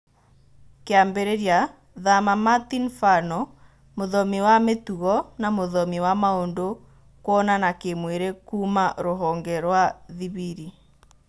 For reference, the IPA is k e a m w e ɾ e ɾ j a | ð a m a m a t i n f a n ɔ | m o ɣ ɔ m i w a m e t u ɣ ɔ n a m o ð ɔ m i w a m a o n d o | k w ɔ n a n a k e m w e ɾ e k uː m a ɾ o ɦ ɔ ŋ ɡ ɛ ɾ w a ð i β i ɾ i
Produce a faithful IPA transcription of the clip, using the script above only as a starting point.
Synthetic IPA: k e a m b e ɾ e ɾ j a | ð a m a m a t i n f a n ɔ | m o ð ɔ m i w a m e t u ɣ ɔ n a m o ð ɔ m i w a m a o n d o | k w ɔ n a n a k e m w e ɾ e k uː m a ɾ o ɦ ɔ ŋ ɡ ɛ ɾ w a ð i β i ɾ i